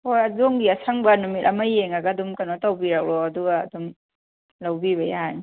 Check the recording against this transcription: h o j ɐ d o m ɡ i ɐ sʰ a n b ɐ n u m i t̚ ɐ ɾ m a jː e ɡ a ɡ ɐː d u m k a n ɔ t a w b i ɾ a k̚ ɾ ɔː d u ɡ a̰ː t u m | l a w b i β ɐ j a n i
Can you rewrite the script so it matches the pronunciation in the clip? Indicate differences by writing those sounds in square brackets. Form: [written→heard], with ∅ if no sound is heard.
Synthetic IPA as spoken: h o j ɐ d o [m→ŋ] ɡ i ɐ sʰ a [n→ŋ] b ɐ n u m i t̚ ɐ [ɾ→∅] m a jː e [ɡ→ŋ] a ɡ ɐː d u m k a n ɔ t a w b i ɾ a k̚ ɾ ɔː d u ɡ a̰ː [t→d] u m | l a w b i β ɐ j a n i